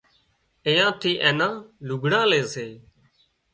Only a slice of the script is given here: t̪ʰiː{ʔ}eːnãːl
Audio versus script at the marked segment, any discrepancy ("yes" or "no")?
no